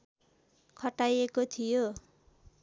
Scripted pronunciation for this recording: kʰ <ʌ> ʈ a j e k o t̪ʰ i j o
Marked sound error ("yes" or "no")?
no